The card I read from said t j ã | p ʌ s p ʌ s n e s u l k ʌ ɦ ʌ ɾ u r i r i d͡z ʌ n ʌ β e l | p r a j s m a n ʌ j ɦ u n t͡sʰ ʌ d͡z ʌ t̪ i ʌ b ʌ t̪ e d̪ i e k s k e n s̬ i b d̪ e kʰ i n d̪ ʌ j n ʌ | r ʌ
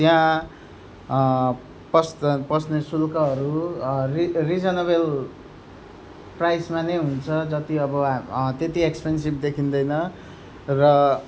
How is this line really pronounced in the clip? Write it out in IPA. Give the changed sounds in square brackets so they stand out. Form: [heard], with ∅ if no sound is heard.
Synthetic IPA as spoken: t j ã | p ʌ s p ʌ s n e s u l k ʌ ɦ ʌ ɾ u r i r i d͡z ʌ n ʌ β e l | p r a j s m a n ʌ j ɦ u n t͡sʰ ʌ d͡z ʌ t̪ i ʌ b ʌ t̪ e [t̪] i e k s [p] e n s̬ i b d̪ e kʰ i n d̪ ʌ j n ʌ | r ʌ